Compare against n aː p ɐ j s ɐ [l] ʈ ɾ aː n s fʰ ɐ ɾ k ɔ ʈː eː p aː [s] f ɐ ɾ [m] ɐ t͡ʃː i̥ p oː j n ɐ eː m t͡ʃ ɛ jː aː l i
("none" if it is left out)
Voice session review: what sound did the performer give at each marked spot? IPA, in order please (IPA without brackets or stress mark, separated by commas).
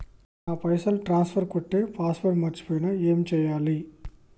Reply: l, s, m